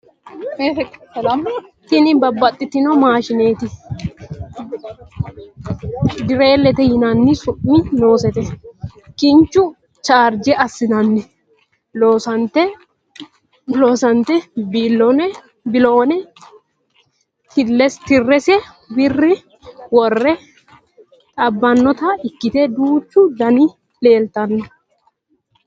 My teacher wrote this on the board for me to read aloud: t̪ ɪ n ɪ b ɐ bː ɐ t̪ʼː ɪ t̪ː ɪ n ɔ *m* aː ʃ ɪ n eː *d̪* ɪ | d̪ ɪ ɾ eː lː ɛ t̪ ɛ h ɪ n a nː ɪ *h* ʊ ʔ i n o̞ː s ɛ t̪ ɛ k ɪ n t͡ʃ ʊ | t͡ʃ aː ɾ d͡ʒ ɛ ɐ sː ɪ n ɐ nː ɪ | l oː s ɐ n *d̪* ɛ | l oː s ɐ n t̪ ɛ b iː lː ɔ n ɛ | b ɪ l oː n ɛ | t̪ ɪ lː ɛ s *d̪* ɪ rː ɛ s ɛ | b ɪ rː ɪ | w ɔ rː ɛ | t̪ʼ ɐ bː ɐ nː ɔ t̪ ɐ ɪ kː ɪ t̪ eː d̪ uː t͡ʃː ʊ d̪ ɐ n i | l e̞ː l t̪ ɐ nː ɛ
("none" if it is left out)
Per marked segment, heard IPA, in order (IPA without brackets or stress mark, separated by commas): m, t̪, s, t̪, t̪